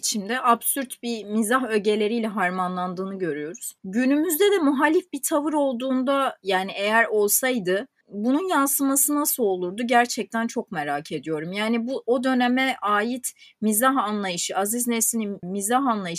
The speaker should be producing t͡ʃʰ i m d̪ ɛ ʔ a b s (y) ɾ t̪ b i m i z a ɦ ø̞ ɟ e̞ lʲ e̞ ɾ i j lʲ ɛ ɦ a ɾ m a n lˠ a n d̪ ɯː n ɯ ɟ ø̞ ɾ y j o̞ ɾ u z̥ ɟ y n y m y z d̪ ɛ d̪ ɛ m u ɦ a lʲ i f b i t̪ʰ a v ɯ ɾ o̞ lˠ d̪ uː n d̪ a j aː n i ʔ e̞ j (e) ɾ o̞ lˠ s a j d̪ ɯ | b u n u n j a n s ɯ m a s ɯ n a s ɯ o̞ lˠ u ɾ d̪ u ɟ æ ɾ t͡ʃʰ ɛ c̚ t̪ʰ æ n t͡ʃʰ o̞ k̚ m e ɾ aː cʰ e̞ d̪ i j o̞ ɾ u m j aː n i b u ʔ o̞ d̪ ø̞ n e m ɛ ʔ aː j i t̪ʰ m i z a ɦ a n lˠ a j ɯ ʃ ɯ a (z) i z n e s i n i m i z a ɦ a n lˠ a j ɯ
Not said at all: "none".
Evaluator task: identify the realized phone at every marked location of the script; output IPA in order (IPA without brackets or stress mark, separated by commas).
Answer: y, æ, z